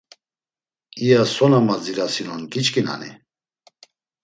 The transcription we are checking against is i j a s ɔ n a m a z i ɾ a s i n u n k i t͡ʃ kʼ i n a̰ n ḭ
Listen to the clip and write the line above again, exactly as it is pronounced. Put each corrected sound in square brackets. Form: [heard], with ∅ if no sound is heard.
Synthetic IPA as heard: i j a s ɔ n a m a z i ɾ a s i n [ɔ] n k i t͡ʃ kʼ i n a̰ n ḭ